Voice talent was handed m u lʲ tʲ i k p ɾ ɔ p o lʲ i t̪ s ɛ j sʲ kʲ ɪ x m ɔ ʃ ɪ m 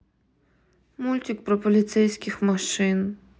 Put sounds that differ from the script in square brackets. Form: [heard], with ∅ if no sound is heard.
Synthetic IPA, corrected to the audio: m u lʲ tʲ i k p ɾ ɔ p [ɔ] lʲ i t̪ s ɛ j sʲ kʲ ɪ x m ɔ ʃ ɪ [n]